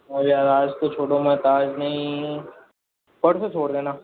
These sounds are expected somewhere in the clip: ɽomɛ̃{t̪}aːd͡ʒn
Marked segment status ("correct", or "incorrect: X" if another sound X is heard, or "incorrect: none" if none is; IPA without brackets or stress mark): correct